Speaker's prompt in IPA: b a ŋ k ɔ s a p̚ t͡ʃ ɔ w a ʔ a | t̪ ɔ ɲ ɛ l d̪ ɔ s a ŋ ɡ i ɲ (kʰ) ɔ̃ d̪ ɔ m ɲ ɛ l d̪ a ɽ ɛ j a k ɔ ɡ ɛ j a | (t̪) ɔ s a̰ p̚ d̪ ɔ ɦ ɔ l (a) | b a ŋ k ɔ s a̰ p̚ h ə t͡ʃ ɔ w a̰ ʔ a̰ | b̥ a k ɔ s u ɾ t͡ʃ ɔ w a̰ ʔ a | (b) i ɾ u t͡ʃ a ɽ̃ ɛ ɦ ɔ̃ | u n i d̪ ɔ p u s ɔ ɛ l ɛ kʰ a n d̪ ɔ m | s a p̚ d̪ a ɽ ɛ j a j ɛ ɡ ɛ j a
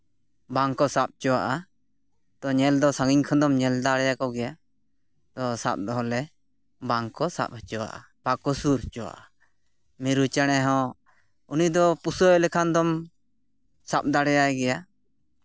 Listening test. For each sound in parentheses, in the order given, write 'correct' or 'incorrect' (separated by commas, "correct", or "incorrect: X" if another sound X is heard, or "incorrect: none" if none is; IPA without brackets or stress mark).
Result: correct, correct, incorrect: ɛ, incorrect: m